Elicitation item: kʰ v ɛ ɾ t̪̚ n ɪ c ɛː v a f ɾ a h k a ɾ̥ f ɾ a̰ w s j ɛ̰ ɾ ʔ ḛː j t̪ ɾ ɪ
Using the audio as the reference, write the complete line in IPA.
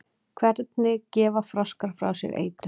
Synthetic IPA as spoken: kʰ v ɛ ɾ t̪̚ n ɪ c ɛː v a f ɾ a s k a ɾ̥ f ɾ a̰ w s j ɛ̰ ɾ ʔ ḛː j t̪ ɾ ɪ